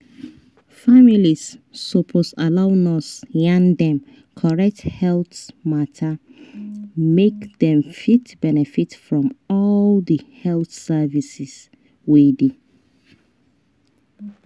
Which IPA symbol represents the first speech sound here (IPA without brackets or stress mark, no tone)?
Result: f